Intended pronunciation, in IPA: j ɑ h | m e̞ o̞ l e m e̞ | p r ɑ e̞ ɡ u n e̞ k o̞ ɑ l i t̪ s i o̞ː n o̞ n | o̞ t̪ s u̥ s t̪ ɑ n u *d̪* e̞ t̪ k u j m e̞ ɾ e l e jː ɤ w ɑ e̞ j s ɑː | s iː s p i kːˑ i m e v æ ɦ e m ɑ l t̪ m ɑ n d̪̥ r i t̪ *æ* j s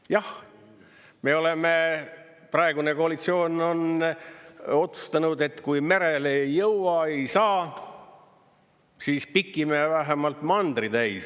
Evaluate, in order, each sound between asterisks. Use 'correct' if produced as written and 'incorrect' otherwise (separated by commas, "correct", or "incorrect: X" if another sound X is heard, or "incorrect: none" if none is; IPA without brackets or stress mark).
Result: correct, correct